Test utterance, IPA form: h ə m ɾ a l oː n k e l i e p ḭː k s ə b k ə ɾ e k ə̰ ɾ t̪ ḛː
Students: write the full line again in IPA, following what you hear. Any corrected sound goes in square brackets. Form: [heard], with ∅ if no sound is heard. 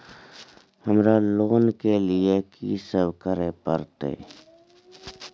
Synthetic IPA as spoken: h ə m ɾ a l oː n k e l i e [k] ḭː [∅] s ə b k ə ɾ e [p] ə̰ ɾ t̪ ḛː